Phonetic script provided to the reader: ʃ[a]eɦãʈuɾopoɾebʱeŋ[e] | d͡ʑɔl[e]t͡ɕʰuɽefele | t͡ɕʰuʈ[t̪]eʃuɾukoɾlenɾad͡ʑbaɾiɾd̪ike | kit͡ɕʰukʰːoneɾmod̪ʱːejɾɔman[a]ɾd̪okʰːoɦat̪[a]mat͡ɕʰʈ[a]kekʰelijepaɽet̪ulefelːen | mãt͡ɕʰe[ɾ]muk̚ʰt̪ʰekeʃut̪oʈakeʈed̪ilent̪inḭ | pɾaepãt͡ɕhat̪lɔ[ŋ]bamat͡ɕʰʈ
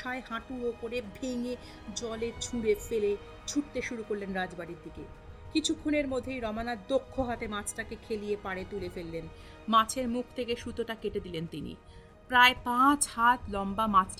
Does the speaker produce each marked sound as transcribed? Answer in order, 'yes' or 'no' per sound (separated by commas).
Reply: yes, yes, yes, yes, yes, no, yes, yes, no